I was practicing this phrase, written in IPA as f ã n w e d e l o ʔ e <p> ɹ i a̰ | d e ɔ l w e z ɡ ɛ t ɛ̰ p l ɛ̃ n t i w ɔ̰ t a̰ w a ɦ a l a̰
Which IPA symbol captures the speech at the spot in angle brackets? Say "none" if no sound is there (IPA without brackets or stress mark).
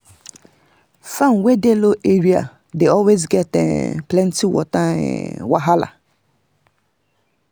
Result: none